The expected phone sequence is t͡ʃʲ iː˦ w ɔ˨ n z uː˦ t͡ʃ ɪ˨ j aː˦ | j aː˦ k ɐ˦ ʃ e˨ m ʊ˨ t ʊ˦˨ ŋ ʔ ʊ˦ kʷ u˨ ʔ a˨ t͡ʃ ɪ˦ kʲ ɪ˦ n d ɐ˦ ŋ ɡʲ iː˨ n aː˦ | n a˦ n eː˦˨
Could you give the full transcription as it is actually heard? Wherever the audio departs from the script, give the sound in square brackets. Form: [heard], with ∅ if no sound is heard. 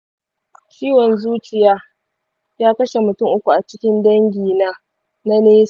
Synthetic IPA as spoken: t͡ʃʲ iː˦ w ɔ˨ n z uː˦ t͡ʃ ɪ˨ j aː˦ | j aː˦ k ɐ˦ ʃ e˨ m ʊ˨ t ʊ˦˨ ŋ ʔ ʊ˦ kʷ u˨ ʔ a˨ t͡ʃ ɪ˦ kʲ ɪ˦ n d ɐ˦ ŋ ɡʲ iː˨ n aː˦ | n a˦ n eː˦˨